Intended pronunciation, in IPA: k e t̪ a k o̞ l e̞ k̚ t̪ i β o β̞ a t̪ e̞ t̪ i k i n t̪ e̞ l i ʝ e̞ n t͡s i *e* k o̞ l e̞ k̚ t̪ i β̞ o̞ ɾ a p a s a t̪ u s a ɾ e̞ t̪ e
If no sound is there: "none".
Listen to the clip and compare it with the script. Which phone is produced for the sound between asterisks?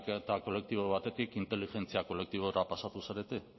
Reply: a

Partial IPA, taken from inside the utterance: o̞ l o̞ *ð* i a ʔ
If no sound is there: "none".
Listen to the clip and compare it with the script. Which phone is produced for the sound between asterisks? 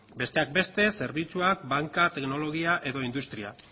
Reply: ɣ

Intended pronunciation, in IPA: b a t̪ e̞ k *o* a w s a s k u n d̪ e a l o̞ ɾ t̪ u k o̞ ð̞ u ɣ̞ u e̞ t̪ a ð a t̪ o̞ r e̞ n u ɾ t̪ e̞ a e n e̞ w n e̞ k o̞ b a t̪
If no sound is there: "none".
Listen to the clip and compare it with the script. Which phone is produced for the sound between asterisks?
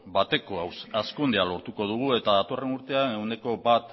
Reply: o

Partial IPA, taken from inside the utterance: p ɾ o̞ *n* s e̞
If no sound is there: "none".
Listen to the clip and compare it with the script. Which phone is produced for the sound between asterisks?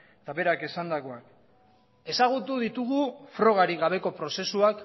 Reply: none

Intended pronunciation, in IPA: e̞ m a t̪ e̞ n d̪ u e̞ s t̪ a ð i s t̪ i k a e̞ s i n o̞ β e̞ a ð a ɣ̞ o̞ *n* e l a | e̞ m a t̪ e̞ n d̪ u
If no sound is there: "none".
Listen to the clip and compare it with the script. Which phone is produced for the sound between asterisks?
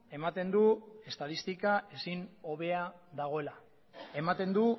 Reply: none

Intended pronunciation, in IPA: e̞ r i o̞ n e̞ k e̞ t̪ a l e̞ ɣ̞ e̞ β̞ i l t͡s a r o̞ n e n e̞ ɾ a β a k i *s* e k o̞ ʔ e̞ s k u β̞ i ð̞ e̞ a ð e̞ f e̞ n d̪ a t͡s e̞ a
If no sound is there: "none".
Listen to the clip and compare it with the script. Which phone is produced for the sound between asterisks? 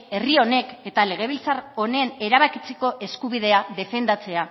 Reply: t͡s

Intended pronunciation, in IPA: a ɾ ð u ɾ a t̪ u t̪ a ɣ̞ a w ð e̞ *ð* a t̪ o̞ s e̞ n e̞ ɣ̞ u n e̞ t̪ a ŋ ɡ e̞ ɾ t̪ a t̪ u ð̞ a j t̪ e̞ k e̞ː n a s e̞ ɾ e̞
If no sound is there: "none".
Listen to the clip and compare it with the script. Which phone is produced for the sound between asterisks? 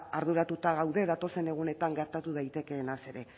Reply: ð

